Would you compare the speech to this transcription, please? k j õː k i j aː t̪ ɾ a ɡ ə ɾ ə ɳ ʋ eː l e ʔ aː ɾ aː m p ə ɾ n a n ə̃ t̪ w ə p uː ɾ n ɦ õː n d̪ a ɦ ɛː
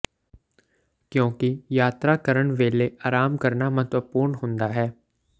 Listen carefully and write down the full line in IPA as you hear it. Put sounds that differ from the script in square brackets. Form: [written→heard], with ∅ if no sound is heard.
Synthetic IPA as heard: k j õː k i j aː t̪ ɾ a [ɡ→k] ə ɾ ə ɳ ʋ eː l e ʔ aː ɾ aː m [p→k] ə ɾ n a [n→m] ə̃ t̪ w ə p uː ɾ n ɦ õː n d̪ a ɦ ɛː